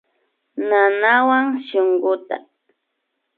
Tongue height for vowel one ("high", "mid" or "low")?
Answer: low